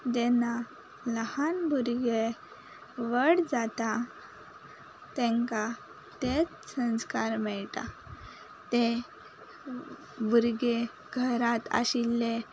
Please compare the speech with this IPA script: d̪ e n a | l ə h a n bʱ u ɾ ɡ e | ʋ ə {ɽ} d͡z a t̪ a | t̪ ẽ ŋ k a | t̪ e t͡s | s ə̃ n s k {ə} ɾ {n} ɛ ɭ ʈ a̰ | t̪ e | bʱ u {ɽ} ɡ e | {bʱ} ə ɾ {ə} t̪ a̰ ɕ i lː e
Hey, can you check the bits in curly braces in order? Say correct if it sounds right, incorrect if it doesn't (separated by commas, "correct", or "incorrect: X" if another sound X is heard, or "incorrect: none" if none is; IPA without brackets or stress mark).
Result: correct, incorrect: a, incorrect: m, incorrect: ɾ, incorrect: ɡʱ, incorrect: a